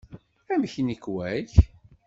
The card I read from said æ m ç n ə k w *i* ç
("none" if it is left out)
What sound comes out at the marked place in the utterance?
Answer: æ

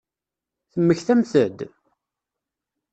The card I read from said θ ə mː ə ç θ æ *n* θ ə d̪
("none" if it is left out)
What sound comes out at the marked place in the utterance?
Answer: m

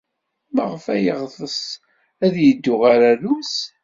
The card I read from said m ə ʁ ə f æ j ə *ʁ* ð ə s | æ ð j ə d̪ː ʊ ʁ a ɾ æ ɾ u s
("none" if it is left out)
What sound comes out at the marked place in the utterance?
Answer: ʁ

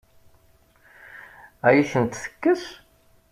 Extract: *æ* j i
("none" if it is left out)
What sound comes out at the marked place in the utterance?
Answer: æ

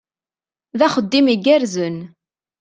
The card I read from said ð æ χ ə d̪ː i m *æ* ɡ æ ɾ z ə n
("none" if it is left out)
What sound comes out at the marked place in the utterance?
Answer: i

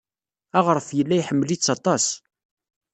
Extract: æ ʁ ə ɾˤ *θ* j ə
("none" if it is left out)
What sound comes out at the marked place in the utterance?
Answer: f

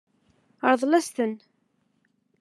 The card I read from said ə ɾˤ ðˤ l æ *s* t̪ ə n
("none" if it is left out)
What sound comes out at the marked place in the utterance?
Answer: s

